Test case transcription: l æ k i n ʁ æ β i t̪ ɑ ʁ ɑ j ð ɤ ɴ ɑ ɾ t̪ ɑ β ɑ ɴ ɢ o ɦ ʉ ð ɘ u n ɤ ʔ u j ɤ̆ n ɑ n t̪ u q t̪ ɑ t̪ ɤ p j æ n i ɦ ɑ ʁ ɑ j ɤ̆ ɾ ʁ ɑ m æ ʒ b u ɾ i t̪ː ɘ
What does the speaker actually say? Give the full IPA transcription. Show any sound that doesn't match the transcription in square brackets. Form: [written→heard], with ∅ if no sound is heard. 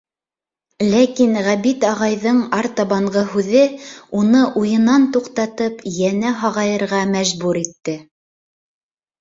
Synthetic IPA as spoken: l æ k i n ʁ æ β i t̪ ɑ ʁ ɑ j ð ɤ ɴ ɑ ɾ t̪ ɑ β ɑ ɴ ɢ [o→ɤ] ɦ ʉ ð ɘ u n ɤ ʔ u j ɤ̆ n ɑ n t̪ u q t̪ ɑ t̪ ɤ p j æ n [i→æ] ɦ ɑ ʁ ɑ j ɤ̆ ɾ ʁ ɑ m æ ʒ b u ɾ i t̪ː ɘ

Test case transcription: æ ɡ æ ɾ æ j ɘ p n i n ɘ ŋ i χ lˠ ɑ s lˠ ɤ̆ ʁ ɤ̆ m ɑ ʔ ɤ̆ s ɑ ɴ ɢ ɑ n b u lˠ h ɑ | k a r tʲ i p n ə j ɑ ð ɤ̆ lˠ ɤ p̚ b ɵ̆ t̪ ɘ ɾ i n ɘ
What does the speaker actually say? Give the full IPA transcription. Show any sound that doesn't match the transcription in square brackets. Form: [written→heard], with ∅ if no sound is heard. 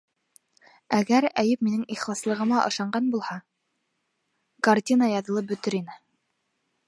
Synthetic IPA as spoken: æ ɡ æ ɾ æ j ɘ p [n→m] i n ɘ ŋ i χ lˠ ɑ s lˠ ɤ̆ ʁ ɤ̆ m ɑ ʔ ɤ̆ [s→ʃ] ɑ ɴ ɢ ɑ n b u lˠ h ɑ | k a r tʲ i [p→∅] n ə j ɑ ð ɤ̆ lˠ ɤ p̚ b ɵ̆ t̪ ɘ ɾ i n ɘ

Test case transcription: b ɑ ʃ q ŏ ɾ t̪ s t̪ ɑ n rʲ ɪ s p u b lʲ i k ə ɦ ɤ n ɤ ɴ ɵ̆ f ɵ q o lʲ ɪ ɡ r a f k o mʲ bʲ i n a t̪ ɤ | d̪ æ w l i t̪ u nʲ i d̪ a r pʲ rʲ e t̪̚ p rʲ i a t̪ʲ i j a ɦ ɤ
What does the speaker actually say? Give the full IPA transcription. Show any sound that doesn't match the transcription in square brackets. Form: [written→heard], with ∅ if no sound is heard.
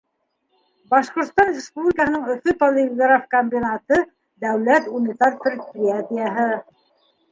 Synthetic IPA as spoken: b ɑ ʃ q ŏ ɾ t̪ s t̪ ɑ n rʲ ɪ s p u b lʲ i k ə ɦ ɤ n ɤ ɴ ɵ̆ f ɵ [q→p] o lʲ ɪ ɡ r a f k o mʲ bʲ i n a t̪ ɤ | d̪ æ w l [i→æ] t̪ u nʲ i [d̪→t̪] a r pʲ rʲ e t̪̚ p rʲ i a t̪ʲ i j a ɦ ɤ

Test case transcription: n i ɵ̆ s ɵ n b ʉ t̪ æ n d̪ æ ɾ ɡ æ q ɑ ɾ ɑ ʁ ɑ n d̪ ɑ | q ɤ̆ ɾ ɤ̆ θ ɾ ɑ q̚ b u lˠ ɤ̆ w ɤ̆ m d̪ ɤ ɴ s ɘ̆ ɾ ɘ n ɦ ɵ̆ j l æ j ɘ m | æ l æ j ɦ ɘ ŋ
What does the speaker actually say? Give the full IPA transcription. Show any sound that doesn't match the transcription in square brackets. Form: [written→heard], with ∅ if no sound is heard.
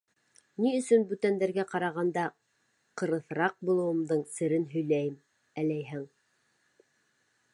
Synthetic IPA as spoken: n i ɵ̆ s ɵ n b ʉ t̪ æ n d̪ æ ɾ ɡ æ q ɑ ɾ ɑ ʁ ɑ n d̪ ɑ | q ɤ̆ ɾ ɤ̆ θ ɾ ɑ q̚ b u lˠ ɤ̆ w ɤ̆ m d̪ ɤ ɴ s ɘ̆ ɾ ɘ n ɦ ɵ̆ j l æ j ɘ m | æ l æ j ɦ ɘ ŋ

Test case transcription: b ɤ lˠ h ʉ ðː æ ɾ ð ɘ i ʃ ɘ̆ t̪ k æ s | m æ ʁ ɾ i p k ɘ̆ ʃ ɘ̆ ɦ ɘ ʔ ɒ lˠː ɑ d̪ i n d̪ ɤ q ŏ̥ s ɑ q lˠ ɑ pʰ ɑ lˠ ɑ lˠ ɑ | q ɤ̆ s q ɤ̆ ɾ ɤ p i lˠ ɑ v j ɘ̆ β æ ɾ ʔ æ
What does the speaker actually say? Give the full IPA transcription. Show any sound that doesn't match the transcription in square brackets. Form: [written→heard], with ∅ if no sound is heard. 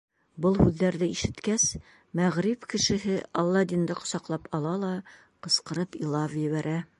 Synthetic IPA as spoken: b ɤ lˠ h ʉ ðː æ ɾ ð ɘ i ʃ ɘ̆ t̪ k æ s | m æ ʁ ɾ i p k ɘ̆ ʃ ɘ̆ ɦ ɘ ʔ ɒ lˠː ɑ d̪ i n d̪ ɤ q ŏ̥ s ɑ q lˠ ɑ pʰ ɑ lˠ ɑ lˠ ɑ | q ɤ̆ s q ɤ̆ ɾ ɤ p i lˠ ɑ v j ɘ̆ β æ ɾ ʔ æ

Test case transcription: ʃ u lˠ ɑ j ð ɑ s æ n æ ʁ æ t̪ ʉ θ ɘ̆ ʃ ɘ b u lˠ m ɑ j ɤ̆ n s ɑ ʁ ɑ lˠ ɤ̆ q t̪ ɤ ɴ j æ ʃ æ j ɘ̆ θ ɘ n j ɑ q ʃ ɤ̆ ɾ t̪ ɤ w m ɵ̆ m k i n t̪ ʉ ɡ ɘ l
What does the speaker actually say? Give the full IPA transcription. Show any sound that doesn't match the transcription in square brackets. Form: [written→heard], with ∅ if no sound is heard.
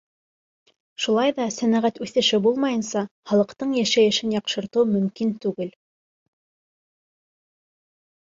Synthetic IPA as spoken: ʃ u lˠ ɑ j ð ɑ s æ n æ ʁ æ t̪ ʉ θ ɘ̆ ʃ ɘ b u lˠ m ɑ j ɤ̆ n s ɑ [ʁ→χ] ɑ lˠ ɤ̆ q t̪ ɤ ɴ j æ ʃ æ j ɘ̆ [θ→ʃ] ɘ n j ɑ q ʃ ɤ̆ ɾ t̪ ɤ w m ɵ̆ m k i n t̪ ʉ ɡ ɘ l

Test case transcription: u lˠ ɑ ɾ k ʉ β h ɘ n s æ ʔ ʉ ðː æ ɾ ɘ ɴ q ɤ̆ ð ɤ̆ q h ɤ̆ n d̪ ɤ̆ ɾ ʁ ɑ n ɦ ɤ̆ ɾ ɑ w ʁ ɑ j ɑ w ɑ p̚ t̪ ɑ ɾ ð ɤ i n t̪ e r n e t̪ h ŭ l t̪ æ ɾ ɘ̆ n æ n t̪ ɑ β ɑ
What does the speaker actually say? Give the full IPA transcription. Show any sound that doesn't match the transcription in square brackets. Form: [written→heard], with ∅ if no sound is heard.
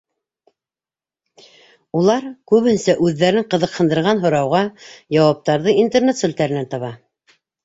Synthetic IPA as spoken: u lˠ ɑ ɾ k ʉ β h ɘ n s æ ʔ ʉ ðː æ ɾ ɘ ɴ q ɤ̆ ð ɤ̆ q h ɤ̆ n d̪ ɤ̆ ɾ ʁ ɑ n ɦ [ɤ̆→ŏ] ɾ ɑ w ʁ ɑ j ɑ w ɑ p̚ t̪ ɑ ɾ ð ɤ i n t̪ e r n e t̪ [h→s] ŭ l t̪ æ ɾ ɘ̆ n æ n t̪ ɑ β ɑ

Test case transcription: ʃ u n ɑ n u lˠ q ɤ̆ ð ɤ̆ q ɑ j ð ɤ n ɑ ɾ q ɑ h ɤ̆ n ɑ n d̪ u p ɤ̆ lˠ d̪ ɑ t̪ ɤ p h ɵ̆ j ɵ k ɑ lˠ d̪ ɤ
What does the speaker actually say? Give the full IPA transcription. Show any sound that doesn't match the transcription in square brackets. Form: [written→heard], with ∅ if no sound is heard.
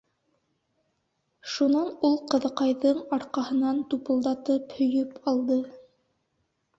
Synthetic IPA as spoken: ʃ u n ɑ n u lˠ q ɤ̆ ð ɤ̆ q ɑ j ð ɤ [n→ɴ] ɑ ɾ q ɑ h ɤ̆ n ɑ n [d̪→t̪] u p ɤ̆ lˠ d̪ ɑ t̪ ɤ p h ɵ̆ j ɵ [k→p] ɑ lˠ d̪ ɤ

